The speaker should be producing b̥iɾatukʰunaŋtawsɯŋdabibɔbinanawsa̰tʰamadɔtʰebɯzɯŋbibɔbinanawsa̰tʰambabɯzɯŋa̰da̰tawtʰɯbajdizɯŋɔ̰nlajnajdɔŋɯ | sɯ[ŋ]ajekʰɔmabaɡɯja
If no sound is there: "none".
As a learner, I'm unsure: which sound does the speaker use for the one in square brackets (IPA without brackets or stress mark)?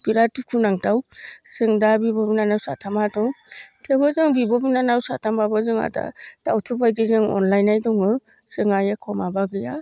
ŋ